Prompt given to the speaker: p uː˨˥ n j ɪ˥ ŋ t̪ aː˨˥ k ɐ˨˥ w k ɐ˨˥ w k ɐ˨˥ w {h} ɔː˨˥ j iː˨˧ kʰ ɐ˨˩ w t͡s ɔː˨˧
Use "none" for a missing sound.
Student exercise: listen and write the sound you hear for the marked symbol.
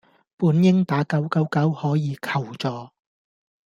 h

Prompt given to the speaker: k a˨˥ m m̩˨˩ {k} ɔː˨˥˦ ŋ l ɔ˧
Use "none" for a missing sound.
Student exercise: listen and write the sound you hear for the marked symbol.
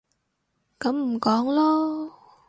k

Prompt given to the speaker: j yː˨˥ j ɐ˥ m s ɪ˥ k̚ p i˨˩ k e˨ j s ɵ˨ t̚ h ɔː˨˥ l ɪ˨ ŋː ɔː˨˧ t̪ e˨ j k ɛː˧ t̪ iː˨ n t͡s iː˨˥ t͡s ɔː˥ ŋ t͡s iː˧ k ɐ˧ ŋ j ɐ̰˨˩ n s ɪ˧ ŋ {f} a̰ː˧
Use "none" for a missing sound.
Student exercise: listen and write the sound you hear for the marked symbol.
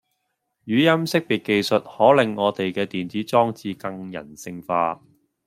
f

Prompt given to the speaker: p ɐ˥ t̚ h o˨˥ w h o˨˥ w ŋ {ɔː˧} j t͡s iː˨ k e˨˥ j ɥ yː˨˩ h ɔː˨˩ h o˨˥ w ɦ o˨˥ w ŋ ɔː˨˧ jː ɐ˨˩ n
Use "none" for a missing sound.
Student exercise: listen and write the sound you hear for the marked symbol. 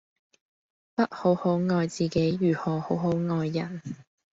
ɔː˧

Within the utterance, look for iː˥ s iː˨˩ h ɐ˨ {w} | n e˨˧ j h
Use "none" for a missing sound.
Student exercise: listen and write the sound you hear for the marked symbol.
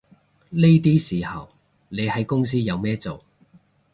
w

